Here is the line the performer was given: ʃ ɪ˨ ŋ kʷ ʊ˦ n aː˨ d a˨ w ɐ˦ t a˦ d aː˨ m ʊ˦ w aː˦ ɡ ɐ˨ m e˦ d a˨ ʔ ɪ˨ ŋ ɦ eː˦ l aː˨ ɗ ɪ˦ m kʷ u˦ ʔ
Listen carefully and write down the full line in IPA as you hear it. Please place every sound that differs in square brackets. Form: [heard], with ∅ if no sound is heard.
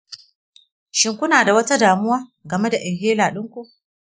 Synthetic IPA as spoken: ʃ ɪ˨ ŋ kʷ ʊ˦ n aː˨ d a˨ w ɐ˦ t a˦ d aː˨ m ʊ˦ w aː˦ ɡ ɐ˨ m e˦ d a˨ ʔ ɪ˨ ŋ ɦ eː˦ l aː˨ ɗ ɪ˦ [ŋ] kʷ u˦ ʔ